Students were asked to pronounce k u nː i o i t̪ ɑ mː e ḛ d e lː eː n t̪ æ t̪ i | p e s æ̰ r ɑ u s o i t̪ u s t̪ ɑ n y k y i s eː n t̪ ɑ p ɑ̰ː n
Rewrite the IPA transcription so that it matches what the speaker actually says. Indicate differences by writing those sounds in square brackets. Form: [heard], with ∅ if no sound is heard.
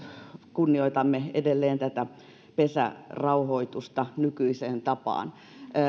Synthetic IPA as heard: k u nː i o i t̪ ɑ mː e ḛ d e lː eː n t̪ æ t̪ [æ] | p e s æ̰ r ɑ u [h] o i t̪ u s t̪ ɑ n y k y i s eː n t̪ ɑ p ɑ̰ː n